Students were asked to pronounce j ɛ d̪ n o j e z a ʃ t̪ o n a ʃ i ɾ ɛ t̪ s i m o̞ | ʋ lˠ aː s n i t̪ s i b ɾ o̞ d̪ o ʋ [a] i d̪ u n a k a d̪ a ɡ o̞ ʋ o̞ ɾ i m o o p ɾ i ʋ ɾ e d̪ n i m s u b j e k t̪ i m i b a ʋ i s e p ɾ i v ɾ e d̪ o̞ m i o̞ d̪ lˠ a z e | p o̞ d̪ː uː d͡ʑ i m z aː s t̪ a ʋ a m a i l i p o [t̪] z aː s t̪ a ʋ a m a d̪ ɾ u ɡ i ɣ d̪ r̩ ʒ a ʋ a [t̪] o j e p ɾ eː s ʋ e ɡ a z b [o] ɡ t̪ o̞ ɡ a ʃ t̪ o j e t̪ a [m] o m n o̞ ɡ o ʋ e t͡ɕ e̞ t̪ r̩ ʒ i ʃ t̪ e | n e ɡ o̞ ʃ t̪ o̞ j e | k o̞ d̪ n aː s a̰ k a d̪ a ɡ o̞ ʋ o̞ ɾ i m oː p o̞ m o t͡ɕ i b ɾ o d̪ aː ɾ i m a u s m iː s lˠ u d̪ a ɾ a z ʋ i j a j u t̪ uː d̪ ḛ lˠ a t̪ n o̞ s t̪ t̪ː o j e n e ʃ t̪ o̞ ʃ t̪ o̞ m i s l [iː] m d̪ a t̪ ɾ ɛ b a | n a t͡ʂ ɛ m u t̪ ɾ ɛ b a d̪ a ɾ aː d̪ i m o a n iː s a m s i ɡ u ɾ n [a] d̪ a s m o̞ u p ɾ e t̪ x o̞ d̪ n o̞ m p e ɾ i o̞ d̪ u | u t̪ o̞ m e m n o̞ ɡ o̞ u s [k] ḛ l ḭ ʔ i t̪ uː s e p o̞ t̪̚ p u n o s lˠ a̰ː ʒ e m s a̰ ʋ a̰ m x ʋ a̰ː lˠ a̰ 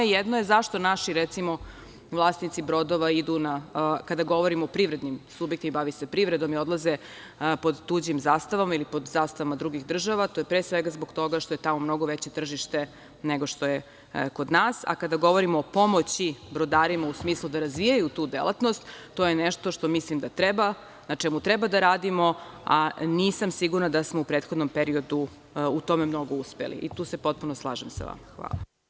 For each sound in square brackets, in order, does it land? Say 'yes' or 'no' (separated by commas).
yes, no, yes, yes, yes, no, yes, no